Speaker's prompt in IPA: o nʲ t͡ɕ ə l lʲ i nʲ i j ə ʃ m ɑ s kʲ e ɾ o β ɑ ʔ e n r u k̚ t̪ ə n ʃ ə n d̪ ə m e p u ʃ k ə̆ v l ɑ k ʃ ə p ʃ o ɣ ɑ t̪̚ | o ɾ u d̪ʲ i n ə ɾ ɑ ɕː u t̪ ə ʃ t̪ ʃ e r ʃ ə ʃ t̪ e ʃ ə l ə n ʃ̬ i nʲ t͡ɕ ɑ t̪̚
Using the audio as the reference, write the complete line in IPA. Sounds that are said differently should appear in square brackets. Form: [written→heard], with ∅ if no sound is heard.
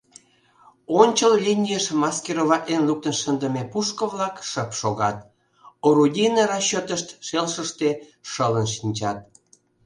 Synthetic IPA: o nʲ t͡ɕ ə l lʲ i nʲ i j ə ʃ m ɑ s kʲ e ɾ o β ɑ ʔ e n [r→l] u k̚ t̪ ə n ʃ ə n d̪ ə m e p u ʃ k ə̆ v l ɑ k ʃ ə p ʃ o ɣ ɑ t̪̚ | o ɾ u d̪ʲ i n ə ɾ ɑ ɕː [u→o] t̪ ə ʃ t̪ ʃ e [r→l] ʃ ə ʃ t̪ e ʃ ə l ə n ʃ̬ i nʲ t͡ɕ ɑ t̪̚